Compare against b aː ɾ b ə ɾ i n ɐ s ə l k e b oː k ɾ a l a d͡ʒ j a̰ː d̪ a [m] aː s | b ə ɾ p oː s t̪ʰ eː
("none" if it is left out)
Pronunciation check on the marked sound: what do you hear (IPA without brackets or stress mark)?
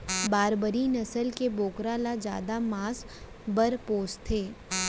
m